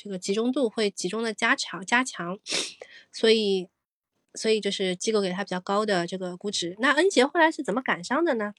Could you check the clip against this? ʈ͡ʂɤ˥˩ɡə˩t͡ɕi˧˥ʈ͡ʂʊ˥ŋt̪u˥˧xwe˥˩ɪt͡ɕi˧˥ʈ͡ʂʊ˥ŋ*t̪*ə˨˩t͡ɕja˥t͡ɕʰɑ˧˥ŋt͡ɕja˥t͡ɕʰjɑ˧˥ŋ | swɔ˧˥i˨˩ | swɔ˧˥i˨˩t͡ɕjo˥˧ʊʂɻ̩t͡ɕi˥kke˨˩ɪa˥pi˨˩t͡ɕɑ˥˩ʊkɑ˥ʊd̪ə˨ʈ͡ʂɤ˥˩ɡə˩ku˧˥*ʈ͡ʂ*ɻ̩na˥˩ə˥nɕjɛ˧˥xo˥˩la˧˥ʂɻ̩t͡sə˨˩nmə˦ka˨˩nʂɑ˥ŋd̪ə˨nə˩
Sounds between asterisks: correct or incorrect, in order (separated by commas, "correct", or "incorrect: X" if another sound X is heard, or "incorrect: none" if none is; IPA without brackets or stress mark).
incorrect: d̪, correct